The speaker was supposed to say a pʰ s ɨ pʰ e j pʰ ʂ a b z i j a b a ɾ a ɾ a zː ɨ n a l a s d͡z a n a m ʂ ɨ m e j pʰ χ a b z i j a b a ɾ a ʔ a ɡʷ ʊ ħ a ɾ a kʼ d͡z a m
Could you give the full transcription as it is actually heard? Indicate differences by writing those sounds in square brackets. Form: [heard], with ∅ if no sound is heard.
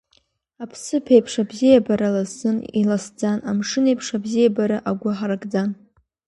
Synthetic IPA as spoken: a pʰ s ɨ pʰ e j pʰ ʂ a b z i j a b a ɾ a [l] a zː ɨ n [i] l a s d͡z a n a m ʂ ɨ [n] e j pʰ [ʂ] a b z i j a b a ɾ a ʔ a ɡʷ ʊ ħ a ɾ a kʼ d͡z a [n]